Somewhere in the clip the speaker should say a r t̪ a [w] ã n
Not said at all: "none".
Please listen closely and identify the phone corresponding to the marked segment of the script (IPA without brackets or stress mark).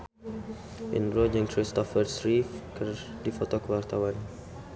w